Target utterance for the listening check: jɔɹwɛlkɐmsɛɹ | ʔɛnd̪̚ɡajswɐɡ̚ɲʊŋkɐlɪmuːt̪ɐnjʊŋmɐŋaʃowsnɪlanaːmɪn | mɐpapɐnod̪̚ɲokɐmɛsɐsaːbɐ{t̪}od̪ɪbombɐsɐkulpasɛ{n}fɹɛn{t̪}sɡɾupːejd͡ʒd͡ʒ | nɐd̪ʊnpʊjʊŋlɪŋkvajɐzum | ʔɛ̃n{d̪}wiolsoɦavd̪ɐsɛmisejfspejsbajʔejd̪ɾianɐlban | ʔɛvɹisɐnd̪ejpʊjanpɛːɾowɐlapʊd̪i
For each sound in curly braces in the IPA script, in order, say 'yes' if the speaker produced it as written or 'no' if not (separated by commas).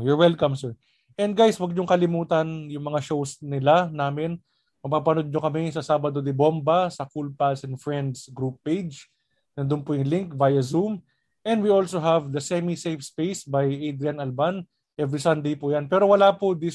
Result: no, yes, no, yes